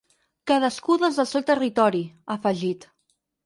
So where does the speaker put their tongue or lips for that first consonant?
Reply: velum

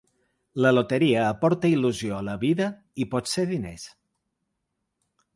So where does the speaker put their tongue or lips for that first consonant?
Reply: tongue tip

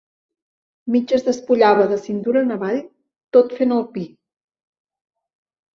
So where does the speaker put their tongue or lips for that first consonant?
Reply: lips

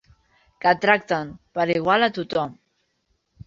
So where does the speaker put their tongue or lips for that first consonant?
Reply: velum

